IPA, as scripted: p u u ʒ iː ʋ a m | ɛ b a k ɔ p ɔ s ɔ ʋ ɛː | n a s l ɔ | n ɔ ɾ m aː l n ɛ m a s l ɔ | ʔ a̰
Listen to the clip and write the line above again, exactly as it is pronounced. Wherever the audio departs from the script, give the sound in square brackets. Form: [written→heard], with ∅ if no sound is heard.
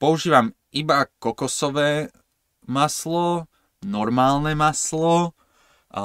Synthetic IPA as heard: p [u→ɔ] u ʒ iː ʋ a m | [ɛ→i] b a k ɔ [p→k] ɔ s ɔ ʋ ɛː | [n→m] a s l ɔ | n ɔ ɾ m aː l n ɛ m a s l ɔ | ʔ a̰